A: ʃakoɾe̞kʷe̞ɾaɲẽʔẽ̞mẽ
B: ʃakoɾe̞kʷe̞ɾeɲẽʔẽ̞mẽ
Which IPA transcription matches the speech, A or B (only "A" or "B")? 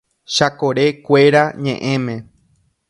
A